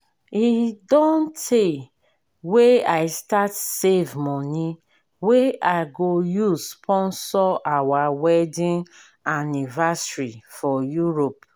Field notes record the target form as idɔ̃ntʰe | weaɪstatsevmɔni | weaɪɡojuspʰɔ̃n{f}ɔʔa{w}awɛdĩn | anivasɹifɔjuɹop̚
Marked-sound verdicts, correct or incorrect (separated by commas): incorrect, correct